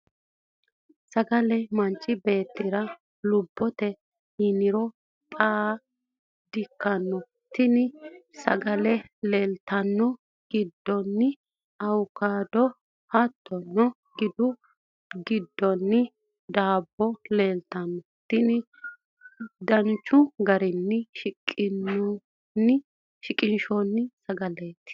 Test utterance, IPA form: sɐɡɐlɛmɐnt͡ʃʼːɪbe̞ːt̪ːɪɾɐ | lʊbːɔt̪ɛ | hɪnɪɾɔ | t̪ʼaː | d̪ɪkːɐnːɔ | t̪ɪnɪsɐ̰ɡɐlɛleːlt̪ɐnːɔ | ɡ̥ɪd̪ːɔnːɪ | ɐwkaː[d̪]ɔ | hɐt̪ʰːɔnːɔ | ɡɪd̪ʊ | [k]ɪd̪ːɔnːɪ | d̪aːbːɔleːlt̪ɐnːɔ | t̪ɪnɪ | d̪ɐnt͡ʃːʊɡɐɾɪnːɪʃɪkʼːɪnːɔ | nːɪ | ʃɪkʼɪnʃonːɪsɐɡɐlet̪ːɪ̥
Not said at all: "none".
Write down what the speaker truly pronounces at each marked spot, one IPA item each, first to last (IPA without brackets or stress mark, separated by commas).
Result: d̪, ɡ